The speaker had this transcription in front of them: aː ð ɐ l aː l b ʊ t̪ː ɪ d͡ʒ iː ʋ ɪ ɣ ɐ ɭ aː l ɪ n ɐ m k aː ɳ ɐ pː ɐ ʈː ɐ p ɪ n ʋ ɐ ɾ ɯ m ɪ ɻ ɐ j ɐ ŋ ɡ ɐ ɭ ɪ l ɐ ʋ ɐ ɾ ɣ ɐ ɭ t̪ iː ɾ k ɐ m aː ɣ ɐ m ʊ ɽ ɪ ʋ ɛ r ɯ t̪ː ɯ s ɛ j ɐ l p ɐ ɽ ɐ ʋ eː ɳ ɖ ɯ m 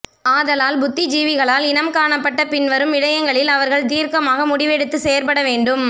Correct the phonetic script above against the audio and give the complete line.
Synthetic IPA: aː ð ɐ l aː l b ʊ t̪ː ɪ d͡ʒ iː ʋ ɪ ɣ ɐ ɭ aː l ɪ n ɐ m k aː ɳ ɐ pː ɐ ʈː ɐ p ɪ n ʋ ɐ ɾ ɯ m ɪ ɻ ɐ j ɐ ŋ ɡ ɐ ɭ ɪ l ɐ ʋ ɐ ɾ ɣ ɐ ɭ t̪ iː ɾ k ɐ m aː ɣ ɐ m ʊ ɽ ɪ ʋ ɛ ɽ ɯ t̪ː ɯ s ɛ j ɐ ɾ p ɐ ɽ ɐ ʋ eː ɳ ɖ ɯ m